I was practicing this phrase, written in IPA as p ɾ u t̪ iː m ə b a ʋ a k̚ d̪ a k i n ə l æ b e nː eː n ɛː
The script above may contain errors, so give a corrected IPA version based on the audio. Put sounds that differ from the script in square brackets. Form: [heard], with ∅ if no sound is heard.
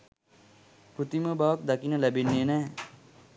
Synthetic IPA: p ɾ u t̪ [i] m ə b a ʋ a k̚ d̪ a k i n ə l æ b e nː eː n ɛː